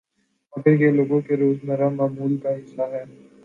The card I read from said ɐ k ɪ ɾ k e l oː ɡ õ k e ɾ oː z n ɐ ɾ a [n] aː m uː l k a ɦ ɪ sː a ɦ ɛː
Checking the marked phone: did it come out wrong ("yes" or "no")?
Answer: yes